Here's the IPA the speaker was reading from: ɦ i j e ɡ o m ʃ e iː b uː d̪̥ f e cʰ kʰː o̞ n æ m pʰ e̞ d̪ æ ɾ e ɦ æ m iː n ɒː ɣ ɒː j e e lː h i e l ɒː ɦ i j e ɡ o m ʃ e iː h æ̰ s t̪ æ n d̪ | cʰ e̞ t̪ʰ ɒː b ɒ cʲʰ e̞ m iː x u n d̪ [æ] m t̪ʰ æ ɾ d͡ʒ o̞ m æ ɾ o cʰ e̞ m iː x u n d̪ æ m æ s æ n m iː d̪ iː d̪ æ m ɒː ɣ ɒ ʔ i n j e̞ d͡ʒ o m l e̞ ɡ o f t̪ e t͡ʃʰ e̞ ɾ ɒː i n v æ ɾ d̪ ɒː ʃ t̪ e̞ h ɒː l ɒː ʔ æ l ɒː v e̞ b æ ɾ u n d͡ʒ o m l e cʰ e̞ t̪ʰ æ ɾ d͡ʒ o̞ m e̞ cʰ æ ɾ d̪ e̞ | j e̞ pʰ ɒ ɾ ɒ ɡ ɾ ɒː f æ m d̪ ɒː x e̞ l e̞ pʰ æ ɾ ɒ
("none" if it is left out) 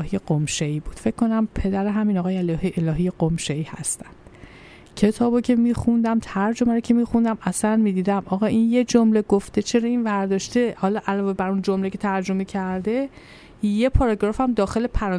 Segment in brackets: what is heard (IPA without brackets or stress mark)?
æ